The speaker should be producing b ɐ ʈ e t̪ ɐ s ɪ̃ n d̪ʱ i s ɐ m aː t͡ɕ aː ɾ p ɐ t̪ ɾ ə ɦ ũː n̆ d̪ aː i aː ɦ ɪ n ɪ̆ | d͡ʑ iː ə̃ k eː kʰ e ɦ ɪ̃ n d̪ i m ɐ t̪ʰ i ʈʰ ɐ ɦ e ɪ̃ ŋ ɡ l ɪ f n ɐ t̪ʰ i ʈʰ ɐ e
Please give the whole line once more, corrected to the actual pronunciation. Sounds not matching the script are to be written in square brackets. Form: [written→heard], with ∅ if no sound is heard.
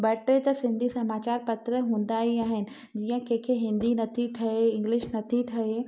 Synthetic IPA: b ɐ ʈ e t̪ ɐ s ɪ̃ n d̪ʱ i s ɐ m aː t͡ɕ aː ɾ p ɐ t̪ ɾ ə ɦ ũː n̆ d̪ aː i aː ɦ ɪ n ɪ̆ | d͡ʑ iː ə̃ k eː kʰ e ɦ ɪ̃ n d̪ i [m→n] ɐ t̪ʰ i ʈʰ ɐ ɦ e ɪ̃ ŋ ɡ l ɪ [f→ʃ] n ɐ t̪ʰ i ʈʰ ɐ e